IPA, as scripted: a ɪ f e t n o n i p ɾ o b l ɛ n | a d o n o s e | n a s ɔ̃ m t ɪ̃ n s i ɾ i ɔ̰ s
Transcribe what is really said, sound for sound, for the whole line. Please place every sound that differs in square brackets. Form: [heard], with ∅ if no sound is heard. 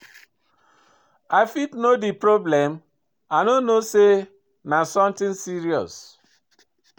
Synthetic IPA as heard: a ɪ f [i] t n o [d] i p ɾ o b l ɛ [m] | a [n] o n o s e | n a s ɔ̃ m t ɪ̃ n s i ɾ i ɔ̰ s